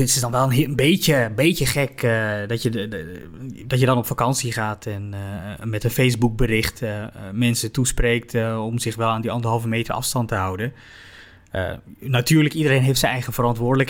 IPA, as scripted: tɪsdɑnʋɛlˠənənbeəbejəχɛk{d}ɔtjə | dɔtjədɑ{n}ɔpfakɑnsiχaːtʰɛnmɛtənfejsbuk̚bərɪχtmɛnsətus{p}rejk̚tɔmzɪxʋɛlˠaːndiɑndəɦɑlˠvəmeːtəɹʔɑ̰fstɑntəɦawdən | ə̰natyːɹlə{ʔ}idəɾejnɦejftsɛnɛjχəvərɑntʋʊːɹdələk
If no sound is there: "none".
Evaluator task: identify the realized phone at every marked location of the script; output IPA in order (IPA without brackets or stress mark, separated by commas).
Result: d, n, p, k